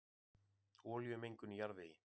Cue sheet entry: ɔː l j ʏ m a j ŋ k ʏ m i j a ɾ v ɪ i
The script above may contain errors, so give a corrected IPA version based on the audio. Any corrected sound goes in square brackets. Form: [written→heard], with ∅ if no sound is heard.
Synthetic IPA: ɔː l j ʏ m [a→e] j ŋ k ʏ [m→n] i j a ɾ [v→ð] ɪ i

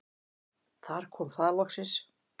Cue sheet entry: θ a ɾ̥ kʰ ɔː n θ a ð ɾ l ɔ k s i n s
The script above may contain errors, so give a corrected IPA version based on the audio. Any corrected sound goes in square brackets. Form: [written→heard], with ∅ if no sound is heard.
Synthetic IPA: θ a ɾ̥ kʰ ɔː [n→m] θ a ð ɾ l ɔ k s [i→ɪ] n s

